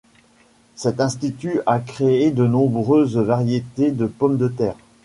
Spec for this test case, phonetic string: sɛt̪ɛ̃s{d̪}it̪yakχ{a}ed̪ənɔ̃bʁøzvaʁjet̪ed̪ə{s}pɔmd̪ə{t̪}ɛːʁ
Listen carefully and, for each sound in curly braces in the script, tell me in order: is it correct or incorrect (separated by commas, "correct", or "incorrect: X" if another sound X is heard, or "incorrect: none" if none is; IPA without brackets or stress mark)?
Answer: incorrect: t̪, incorrect: e, incorrect: none, correct